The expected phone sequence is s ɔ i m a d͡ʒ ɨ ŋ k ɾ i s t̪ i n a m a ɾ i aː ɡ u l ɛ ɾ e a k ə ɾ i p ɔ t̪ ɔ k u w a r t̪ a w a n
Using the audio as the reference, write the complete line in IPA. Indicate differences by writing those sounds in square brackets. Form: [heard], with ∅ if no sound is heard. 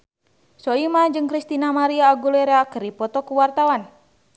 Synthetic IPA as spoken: s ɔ i m a d͡ʒ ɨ ŋ k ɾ i s t̪ i n a m a ɾ i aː ɡ u l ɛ ɾ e a k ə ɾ i p ɔ t̪ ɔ k u w a r t̪ a w a n